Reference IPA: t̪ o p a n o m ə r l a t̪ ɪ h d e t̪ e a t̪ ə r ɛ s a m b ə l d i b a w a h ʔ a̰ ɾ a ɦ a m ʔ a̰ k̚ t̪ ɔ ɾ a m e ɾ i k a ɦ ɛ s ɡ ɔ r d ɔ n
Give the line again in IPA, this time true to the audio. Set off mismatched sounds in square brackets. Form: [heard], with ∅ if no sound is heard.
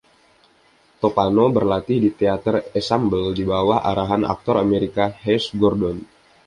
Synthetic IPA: t̪ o p a n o [b] ə r l a t̪ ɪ h d [i] t̪ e a t̪ ə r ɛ s a m b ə l d i b a w a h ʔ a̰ ɾ a ɦ a [n] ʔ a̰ k̚ t̪ ɔ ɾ a m e ɾ i k a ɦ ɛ s ɡ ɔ r d ɔ n